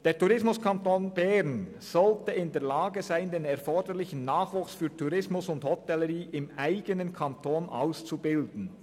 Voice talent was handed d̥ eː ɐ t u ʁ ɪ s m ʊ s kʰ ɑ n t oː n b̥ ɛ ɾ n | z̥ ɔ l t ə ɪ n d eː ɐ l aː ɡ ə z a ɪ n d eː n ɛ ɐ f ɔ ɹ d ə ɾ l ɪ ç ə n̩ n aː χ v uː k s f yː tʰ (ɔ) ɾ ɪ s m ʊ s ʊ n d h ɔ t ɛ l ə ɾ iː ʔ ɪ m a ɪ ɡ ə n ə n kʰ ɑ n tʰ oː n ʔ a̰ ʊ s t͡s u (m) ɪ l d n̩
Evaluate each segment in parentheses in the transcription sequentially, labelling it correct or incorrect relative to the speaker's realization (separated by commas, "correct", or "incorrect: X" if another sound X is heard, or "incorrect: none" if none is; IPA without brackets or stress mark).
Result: incorrect: u, incorrect: b